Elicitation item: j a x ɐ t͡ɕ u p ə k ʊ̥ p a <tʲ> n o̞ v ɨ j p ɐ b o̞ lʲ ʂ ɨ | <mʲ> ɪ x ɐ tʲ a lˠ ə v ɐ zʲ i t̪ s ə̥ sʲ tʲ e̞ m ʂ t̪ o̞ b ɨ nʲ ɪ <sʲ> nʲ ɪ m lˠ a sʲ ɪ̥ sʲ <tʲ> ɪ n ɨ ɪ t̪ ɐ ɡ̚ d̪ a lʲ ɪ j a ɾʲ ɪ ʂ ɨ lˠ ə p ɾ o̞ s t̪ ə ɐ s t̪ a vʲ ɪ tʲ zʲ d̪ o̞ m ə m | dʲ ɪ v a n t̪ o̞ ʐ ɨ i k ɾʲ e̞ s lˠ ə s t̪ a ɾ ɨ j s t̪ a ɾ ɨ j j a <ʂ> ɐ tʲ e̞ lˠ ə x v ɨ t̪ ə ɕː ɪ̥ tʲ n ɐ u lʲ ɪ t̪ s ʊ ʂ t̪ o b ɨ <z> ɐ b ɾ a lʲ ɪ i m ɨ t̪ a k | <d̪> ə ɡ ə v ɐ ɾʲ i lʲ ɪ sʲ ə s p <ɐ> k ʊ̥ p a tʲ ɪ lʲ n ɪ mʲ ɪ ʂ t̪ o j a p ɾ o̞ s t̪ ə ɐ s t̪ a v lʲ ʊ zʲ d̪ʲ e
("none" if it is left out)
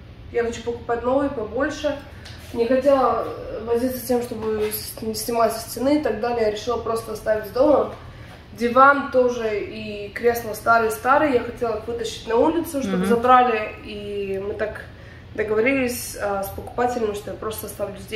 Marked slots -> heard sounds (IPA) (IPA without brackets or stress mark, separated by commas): tʲ, nʲ, sʲ, tʲ, x, z, d̪, ə